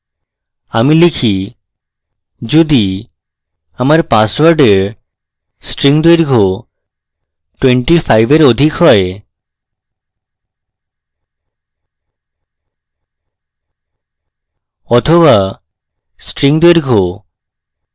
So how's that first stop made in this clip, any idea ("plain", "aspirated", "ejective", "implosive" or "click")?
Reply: aspirated